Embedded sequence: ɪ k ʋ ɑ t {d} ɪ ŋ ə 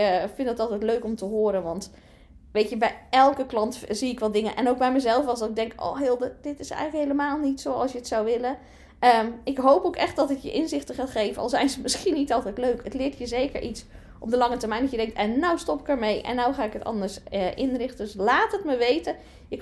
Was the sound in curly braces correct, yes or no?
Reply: yes